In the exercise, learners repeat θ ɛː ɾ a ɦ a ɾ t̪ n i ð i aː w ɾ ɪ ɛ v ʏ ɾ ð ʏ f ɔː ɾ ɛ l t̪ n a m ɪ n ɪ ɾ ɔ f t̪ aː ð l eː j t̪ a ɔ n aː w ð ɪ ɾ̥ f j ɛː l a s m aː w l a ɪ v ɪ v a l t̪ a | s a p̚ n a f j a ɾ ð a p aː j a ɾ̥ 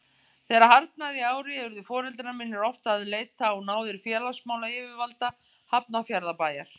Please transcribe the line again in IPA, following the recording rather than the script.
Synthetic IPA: θ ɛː ɾ a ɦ a ɾ t̪ n a ð i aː w ɾ ɪ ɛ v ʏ ɾ ð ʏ f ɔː ɾ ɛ l t̪ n a m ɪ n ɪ ɾ ɔ f t̪ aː ð l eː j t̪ a ɔ n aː w ð ɪ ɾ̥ f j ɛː l a s m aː w l a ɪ v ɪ v a l t̪ a | h a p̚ n a f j a ɾ ð a p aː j a ɾ̥